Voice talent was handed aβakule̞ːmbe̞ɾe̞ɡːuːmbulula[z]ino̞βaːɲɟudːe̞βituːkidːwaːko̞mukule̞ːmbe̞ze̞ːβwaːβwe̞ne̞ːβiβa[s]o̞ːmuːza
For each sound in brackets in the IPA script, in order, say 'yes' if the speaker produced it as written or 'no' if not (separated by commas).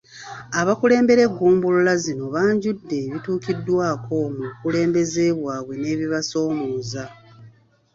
yes, yes